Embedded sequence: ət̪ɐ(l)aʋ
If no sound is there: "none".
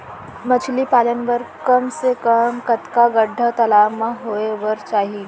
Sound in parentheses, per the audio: l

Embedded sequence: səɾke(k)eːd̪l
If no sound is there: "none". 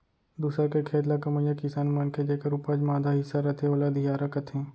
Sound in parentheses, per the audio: kʰ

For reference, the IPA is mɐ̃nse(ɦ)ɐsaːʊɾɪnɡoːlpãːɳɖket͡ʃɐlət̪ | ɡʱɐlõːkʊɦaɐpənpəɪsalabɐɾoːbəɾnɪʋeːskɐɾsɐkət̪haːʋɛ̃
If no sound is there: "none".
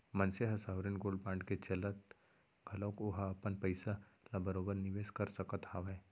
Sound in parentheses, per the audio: ɦ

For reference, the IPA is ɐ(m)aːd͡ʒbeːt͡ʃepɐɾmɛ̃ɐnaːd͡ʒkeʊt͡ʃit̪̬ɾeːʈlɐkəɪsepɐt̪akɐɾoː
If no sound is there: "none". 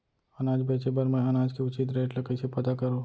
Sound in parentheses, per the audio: n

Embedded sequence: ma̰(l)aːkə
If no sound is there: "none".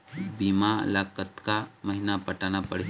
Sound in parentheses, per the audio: l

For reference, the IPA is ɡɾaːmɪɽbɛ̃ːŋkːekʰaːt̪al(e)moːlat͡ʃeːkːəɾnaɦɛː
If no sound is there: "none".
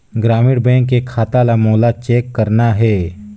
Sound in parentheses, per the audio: a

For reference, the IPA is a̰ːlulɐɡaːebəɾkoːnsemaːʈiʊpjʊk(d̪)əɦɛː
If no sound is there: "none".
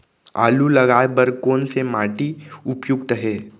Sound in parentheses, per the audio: t̪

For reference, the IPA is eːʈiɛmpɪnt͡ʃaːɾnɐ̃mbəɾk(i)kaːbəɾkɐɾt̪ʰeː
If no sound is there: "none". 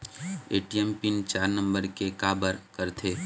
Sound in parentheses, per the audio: e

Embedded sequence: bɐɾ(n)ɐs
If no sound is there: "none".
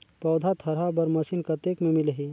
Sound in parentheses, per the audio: m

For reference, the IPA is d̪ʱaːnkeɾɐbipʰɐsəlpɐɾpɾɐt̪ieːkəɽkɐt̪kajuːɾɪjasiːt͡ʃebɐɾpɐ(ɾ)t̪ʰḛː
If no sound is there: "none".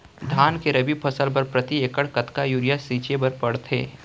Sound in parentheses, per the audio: ɽ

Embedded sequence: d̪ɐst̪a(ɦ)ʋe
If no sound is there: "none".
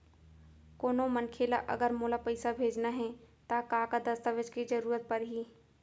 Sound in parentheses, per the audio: none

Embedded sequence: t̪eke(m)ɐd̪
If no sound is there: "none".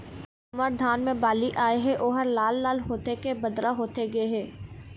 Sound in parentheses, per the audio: b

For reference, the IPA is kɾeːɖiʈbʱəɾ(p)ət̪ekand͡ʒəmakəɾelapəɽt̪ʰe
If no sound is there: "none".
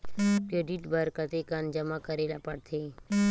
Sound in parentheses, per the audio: k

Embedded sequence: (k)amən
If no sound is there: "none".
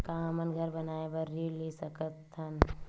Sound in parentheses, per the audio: k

